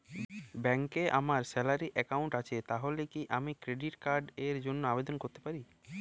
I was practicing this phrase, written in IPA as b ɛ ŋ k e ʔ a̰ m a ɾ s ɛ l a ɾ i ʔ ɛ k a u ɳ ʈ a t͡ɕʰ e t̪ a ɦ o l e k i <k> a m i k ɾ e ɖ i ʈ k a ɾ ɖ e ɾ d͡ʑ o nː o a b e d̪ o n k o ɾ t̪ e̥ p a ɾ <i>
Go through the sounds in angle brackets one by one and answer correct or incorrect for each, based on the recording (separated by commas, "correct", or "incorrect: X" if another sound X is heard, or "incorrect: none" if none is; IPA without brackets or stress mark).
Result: incorrect: ʔ, correct